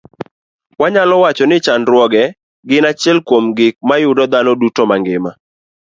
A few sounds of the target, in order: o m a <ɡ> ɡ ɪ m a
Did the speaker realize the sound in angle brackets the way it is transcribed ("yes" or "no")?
no